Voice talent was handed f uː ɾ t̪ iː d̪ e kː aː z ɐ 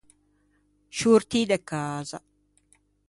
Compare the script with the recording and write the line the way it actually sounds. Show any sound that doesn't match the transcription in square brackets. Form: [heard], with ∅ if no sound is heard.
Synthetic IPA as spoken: [ʃ] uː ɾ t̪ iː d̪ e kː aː z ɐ